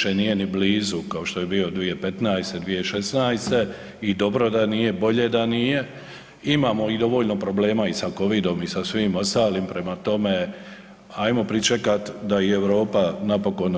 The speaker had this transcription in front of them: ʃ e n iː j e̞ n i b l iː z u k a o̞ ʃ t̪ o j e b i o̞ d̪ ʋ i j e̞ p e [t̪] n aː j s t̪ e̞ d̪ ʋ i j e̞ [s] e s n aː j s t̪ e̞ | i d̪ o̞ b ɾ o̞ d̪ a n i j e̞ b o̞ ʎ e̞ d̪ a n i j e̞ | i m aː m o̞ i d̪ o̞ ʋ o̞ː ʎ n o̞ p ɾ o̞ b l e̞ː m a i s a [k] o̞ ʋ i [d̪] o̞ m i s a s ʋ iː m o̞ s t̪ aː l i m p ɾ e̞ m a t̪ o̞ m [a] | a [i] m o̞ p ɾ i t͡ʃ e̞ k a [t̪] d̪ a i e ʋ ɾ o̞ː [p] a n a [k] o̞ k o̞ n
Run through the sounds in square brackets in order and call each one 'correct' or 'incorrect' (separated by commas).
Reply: correct, incorrect, correct, correct, incorrect, incorrect, correct, correct, incorrect